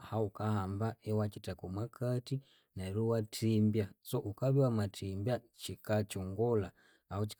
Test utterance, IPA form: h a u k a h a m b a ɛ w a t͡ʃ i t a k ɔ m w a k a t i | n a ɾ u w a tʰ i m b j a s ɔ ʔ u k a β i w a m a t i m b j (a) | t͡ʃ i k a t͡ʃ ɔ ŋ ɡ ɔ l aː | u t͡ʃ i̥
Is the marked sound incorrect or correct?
correct